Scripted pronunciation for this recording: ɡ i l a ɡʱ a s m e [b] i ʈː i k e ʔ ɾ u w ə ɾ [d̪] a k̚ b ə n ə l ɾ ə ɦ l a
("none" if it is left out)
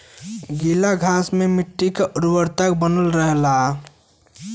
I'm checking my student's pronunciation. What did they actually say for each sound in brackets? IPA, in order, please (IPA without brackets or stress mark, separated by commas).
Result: m, t̪